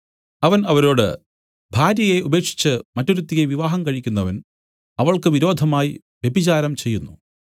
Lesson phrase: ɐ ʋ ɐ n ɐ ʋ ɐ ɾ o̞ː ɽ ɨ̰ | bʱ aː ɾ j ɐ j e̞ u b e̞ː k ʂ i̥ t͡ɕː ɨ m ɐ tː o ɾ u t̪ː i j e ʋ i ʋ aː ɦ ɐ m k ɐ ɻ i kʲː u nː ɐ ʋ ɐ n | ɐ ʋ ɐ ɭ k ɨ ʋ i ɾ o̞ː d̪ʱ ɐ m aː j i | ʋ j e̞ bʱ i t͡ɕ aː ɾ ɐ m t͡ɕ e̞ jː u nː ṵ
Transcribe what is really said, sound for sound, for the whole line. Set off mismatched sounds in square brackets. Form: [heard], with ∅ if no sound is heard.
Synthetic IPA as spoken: ɐ ʋ ɐ n ɐ ʋ ɐ ɾ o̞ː ɽ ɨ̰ | bʱ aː ɾ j ɐ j e̞ u b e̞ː k ʂ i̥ t͡ɕː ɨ m ɐ tː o ɾ u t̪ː i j e ʋ i ʋ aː ɦ ɐ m k ɐ ɻ i kʲː u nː ɐ ʋ ɐ n | ɐ ʋ ɐ ɭ k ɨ ʋ i ɾ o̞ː d̪ʱ ɐ m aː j i | ʋ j e̞ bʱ i t͡ɕ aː ɾ ɐ m t͡ɕ e̞ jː u nː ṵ